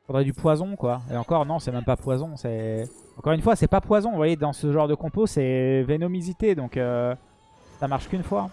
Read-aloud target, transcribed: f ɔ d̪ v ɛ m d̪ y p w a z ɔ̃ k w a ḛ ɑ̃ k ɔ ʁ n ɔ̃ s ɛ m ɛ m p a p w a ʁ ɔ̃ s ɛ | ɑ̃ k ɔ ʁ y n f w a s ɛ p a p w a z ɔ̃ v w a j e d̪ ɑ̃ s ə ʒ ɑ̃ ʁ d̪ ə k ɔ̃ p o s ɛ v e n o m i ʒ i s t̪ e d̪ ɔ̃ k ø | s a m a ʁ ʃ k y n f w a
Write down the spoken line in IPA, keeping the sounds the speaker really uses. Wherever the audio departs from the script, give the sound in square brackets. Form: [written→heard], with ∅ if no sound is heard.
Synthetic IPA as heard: f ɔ d̪ [v→ʁ] ɛ [m→∅] d̪ y p w a z ɔ̃ k w a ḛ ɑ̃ k ɔ ʁ n ɔ̃ s ɛ m ɛ m p a p w a [ʁ→z] ɔ̃ s ɛ | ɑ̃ k ɔ ʁ y n f w a s ɛ p a p w a z ɔ̃ v w a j e d̪ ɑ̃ s ə ʒ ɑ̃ ʁ d̪ ə k ɔ̃ p o s ɛ v e n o m i [ʒ→z] i [s→∅] t̪ e d̪ ɔ̃ k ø | s a m a ʁ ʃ k y n f w a